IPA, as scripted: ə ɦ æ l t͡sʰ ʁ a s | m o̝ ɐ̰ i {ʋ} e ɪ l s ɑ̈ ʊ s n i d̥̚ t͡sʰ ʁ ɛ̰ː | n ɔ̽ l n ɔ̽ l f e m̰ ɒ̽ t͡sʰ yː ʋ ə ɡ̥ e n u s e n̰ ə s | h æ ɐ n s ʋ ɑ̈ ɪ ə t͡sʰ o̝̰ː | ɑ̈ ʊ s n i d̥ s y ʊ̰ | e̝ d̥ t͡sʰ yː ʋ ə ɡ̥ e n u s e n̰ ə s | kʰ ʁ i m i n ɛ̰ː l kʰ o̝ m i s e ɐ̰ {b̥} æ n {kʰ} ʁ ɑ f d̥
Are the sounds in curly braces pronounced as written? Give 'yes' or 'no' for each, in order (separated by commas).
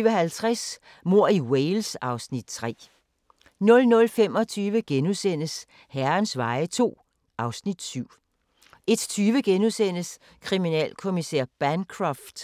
no, yes, yes